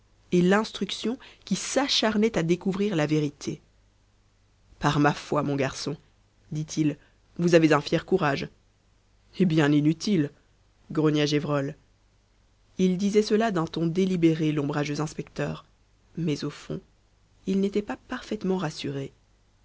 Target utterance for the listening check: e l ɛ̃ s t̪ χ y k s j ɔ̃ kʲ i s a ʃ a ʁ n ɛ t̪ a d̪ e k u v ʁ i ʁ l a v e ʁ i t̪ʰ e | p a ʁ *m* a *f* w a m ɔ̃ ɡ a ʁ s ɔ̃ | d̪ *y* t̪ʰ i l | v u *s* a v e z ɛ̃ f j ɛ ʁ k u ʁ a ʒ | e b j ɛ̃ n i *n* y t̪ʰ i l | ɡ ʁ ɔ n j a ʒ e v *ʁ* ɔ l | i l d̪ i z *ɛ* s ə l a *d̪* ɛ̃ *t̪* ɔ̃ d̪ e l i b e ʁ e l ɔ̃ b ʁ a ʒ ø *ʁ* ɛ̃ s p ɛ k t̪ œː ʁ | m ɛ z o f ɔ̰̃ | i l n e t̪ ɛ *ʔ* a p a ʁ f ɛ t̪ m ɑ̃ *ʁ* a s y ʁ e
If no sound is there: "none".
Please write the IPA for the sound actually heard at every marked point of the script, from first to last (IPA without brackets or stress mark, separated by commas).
m, f, i, z, n, ʁ, ɛ, d̪, t̪, z, p, ʁ